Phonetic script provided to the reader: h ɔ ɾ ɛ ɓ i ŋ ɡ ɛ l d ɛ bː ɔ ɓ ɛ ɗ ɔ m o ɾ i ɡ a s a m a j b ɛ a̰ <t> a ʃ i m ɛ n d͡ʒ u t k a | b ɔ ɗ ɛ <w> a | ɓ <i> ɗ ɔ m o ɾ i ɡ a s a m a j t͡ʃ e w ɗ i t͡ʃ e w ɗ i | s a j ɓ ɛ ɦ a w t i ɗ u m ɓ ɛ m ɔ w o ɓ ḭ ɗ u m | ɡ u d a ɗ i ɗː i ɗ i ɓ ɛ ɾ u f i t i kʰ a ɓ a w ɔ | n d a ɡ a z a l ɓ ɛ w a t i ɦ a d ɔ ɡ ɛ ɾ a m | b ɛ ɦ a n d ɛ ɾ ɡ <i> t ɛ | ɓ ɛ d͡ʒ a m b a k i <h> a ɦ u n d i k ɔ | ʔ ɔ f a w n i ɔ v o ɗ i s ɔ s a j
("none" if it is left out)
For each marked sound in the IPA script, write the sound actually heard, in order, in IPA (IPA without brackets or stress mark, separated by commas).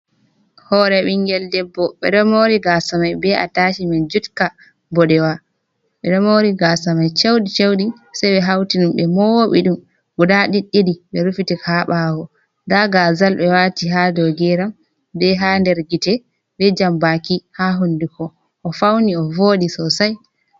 t, w, ɛ, i, h